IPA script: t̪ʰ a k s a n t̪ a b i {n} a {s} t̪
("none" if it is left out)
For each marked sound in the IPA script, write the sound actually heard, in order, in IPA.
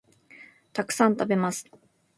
m, s

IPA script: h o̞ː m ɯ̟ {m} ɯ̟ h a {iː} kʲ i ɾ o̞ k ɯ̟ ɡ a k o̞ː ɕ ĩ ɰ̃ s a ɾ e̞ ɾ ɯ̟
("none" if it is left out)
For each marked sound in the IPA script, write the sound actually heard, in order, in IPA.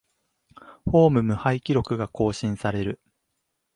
m, i

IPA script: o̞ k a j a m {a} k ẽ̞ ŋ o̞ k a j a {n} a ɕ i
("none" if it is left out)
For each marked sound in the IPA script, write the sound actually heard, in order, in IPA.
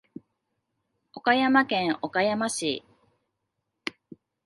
a, m

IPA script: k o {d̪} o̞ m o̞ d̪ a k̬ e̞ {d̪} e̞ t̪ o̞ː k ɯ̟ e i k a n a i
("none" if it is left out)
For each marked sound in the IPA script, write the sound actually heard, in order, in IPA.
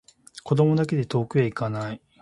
d̪, d̪

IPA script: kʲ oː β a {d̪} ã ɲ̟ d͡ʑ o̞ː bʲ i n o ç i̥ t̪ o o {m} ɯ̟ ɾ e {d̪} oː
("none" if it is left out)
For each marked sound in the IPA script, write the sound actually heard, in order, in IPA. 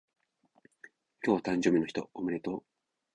t̪, m, t̪

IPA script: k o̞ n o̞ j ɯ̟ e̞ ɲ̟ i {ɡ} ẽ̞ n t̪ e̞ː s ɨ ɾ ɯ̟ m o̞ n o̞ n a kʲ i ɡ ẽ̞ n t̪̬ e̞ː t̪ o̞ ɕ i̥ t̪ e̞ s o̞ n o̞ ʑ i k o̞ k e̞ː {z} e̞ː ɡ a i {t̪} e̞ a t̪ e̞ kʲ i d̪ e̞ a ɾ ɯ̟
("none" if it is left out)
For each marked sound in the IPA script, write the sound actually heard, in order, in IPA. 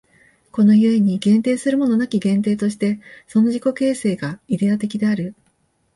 ɡ, s, d̪

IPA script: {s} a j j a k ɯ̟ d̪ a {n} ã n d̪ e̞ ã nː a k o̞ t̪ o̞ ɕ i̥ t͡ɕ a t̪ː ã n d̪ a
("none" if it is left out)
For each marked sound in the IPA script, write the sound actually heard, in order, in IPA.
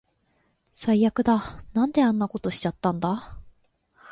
s, n

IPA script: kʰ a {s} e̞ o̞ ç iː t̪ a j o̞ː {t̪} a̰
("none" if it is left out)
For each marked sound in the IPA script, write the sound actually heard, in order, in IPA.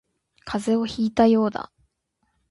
z, d̪

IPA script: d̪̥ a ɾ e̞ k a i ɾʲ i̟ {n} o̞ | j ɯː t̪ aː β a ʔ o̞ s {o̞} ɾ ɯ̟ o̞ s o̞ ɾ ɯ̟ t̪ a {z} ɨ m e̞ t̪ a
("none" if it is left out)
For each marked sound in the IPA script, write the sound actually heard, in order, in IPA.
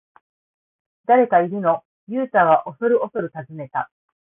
n, o̞, z

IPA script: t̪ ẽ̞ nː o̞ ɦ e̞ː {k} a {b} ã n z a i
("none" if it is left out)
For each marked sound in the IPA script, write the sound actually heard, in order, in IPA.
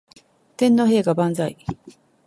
ɡ, b

